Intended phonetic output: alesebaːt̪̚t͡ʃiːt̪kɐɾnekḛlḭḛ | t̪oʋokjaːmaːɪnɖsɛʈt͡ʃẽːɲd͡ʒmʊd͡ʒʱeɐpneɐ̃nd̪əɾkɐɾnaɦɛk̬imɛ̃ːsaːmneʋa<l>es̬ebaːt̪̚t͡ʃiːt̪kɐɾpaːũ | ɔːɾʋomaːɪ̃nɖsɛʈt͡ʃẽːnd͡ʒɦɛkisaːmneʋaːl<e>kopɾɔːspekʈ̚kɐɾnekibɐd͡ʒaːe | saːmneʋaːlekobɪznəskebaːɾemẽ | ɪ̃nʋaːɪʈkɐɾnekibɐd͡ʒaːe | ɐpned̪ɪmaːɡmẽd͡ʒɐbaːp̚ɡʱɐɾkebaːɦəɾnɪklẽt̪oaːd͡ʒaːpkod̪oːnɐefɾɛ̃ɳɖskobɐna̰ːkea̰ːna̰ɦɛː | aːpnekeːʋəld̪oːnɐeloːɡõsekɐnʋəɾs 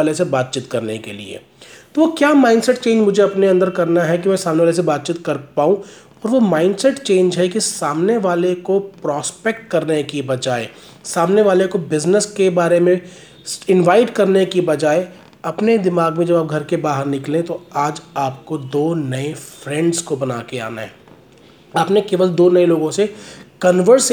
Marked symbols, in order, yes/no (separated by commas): yes, yes